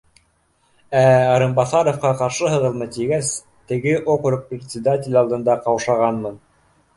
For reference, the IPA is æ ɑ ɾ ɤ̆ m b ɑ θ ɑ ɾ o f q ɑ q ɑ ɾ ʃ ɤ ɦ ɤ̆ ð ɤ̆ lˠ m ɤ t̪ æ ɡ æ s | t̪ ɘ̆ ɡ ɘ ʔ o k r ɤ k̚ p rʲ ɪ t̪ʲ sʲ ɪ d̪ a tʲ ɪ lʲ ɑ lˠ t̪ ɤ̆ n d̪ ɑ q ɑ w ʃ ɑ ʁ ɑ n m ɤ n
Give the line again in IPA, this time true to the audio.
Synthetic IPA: æ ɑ ɾ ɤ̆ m b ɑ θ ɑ ɾ o f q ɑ q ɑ ɾ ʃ ɤ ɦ ɤ̆ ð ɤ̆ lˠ m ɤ t̪ i ɡ æ s | t̪ ɘ̆ ɡ ɘ ʔ o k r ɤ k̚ p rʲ ɪ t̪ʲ sʲ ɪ d̪ a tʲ ɪ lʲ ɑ lˠ d̪ ɤ̆ n d̪ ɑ q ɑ w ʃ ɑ ʁ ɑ n m ɤ n